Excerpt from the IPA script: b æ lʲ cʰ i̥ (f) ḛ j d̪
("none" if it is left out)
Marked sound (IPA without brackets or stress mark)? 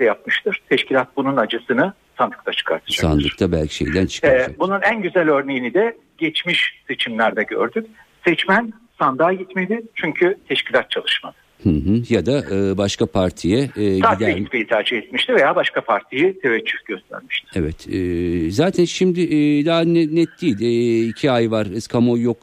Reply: ʃ